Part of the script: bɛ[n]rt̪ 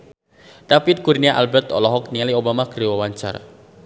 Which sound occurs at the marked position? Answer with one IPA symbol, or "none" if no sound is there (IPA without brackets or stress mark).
none